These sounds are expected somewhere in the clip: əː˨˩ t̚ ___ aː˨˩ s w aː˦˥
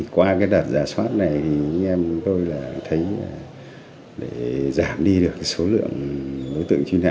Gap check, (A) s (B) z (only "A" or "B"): B